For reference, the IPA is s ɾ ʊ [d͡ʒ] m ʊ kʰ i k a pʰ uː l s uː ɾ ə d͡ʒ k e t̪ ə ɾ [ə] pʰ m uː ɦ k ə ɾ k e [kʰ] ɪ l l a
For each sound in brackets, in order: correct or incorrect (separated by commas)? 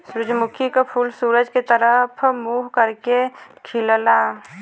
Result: correct, correct, correct